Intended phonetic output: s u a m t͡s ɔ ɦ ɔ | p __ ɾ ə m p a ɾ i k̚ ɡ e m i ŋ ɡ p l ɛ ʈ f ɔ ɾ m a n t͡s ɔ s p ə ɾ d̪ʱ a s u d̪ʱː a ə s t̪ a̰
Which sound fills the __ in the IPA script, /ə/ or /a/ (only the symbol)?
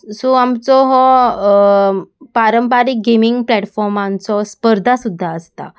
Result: a